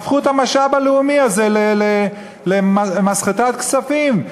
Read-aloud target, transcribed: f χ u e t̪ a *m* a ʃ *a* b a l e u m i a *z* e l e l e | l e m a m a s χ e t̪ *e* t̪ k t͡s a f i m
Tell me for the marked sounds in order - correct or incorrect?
correct, correct, correct, incorrect: a

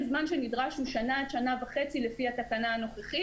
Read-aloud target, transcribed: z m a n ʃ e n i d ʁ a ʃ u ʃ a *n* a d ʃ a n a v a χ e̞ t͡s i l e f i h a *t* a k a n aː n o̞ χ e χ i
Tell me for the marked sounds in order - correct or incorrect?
correct, correct

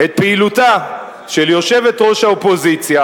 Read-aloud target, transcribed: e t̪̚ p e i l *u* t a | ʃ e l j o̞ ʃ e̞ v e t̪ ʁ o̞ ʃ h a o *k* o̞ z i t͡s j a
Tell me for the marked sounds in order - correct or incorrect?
correct, incorrect: p

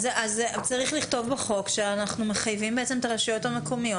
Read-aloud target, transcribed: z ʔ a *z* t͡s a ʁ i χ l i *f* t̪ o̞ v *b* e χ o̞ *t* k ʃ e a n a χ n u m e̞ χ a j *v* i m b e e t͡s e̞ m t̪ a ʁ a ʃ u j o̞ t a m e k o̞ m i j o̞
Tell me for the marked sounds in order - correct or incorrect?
correct, incorrect: χ, correct, incorrect: none, correct

